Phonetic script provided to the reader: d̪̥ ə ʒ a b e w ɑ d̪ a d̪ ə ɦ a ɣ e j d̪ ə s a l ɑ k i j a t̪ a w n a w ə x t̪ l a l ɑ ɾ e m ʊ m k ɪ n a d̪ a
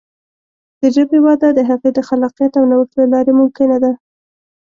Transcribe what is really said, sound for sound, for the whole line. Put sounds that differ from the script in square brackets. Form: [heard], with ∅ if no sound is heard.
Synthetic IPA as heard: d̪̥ ə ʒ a b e w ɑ d̪ a d̪ ə ɦ a ɣ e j d̪ ə [x] a l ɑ [q] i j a t̪ a w n a w ə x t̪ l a l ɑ ɾ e m ʊ m k ɪ n a d̪ a